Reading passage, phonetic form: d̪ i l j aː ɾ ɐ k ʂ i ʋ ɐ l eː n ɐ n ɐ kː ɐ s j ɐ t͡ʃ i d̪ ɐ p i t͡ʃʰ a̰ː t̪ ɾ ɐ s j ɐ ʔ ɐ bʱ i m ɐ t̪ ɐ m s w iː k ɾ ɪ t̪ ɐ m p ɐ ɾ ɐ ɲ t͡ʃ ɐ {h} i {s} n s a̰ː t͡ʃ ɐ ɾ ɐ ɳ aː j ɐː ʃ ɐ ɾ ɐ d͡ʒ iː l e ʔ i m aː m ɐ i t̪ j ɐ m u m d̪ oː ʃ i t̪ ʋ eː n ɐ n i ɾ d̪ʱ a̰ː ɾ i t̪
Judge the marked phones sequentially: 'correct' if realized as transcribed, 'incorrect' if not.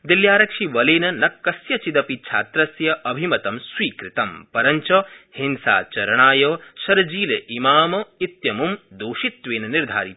correct, incorrect

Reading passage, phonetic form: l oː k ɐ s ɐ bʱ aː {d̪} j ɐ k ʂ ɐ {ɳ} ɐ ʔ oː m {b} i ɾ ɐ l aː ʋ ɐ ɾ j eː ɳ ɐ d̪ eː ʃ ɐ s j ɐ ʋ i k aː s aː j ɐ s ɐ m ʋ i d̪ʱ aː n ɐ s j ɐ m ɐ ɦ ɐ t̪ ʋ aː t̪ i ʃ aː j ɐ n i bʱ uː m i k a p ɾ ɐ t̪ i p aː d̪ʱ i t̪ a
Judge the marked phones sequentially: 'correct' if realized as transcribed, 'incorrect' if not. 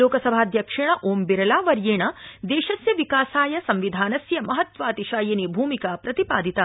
correct, correct, correct

